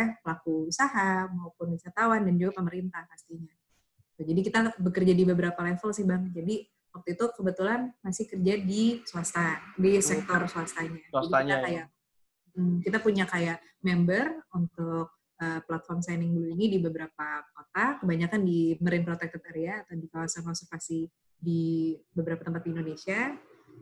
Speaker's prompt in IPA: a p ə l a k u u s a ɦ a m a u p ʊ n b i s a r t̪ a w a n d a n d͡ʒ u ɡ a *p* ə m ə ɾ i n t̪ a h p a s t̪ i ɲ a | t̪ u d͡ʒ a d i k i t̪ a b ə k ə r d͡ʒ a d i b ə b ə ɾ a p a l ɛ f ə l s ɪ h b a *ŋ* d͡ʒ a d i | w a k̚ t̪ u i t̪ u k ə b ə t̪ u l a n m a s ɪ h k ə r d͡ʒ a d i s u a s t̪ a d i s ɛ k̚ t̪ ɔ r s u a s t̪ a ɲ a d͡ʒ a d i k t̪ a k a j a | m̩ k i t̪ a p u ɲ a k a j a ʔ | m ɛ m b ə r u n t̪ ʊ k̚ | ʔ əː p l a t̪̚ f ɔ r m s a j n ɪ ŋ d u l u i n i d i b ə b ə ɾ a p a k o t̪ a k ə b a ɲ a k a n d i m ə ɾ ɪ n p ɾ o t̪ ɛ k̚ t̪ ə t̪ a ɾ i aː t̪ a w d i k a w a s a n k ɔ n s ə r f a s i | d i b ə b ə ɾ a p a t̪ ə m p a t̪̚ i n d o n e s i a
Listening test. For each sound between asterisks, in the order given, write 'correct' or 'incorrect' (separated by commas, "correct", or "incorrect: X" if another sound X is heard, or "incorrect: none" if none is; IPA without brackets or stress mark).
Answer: correct, correct